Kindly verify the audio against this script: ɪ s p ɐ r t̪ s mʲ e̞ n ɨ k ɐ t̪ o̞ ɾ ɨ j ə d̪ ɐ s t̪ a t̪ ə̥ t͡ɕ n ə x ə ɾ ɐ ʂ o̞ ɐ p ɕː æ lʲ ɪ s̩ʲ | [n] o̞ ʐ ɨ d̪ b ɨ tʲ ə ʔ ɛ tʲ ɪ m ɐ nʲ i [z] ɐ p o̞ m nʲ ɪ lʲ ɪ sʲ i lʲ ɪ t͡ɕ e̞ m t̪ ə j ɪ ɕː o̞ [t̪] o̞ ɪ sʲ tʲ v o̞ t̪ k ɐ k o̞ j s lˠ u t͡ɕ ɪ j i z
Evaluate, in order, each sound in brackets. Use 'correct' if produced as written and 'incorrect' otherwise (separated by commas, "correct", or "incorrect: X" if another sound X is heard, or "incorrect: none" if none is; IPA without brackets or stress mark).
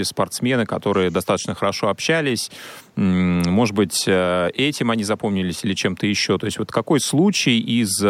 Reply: incorrect: m, correct, correct